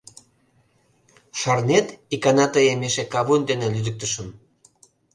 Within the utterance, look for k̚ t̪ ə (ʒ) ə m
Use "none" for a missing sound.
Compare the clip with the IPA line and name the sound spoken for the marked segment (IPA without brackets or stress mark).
ʃ